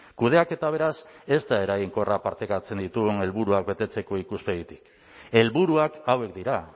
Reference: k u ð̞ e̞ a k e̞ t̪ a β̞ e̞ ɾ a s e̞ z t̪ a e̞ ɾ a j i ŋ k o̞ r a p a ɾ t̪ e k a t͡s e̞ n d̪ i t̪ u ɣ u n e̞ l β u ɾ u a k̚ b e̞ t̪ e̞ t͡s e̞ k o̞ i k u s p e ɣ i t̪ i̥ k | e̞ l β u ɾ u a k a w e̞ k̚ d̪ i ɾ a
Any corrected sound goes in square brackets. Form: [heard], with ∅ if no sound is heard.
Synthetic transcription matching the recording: k u ð̞ e̞ a k e̞ t̪ a β̞ e̞ ɾ a s e̞ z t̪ a e̞ ɾ a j i ŋ k o̞ r a p a ɾ t̪ e k a t͡s e̞ n d̪ i t̪ u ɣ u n e̞ l β u ɾ u a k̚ b e̞ t̪ e̞ t͡s e̞ k o̞ i k u s p e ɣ i t̪ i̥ k | e̞ l β u ɾ u a k a w e̞ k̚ d̪ i ɾ a